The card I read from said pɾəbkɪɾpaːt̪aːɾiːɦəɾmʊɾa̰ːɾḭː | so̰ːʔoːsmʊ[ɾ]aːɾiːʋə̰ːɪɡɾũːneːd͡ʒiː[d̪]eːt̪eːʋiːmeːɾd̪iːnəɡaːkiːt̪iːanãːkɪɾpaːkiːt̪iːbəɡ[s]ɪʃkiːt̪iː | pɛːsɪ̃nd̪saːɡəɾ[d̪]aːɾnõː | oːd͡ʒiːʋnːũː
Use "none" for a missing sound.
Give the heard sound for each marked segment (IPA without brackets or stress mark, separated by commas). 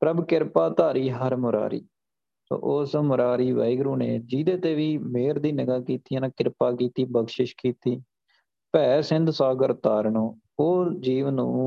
ɾ, d̪, ʃ, t̪